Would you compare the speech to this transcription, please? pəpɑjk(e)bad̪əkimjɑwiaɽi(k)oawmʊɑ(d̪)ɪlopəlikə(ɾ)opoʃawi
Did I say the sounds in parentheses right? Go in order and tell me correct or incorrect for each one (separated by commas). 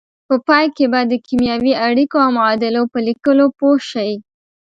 correct, correct, correct, incorrect